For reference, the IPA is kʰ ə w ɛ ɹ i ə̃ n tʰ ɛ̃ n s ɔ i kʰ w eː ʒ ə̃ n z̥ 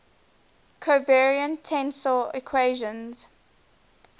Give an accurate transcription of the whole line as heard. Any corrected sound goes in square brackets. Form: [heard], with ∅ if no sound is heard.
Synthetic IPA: kʰ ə [v] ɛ ɹ i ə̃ n tʰ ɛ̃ n s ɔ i kʰ w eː ʒ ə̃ n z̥